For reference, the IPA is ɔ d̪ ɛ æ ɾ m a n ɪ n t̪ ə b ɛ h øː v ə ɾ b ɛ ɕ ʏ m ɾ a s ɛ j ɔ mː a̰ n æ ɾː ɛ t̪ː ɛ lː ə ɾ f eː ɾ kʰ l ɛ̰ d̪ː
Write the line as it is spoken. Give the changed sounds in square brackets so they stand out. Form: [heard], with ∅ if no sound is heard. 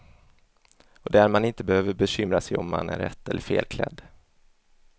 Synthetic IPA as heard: ɔ d̪ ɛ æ ɾ m a n ɪ n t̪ ə b ɛ h øː v ə ɾ b ɛ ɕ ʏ m ɾ a s ɛ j ɔ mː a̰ n æ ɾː ɛ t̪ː ɛ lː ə ɾ f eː [l] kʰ l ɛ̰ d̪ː